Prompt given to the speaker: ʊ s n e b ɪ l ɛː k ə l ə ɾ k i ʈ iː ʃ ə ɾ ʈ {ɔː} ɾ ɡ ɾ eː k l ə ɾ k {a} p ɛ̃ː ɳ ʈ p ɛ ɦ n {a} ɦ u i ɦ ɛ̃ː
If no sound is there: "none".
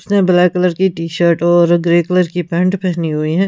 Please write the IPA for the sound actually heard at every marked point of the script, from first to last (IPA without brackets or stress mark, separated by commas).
ɔː, i, i